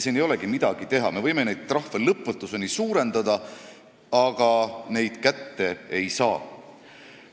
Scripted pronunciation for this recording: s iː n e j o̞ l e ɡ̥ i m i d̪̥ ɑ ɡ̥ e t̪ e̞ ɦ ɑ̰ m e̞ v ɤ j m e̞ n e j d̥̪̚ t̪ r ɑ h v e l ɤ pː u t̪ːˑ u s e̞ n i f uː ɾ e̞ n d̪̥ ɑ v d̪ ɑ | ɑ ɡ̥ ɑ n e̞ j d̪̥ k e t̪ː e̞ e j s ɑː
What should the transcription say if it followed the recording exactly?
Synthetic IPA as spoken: s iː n e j o̞ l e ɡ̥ i m i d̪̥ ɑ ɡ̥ i t̪ e̞ ɦ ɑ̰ m e̞ v ɤ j m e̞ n e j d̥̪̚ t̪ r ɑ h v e l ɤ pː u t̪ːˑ u s e̞ n i s uː ɾ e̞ n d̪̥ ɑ d̪ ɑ | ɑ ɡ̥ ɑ n e̞ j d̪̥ k æ t̪ː e̞ e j s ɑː